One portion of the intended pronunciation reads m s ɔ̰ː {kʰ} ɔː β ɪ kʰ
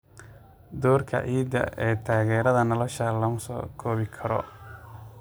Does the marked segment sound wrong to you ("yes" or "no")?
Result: no